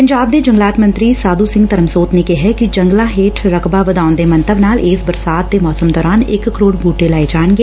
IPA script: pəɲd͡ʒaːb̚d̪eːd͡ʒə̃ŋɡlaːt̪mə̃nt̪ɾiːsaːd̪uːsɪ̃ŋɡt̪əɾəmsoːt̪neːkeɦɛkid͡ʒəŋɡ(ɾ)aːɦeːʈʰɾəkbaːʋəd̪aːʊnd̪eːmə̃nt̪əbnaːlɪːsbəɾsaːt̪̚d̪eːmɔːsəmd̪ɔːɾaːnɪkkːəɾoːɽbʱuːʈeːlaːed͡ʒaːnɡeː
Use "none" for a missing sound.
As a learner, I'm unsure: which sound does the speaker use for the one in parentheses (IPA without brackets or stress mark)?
l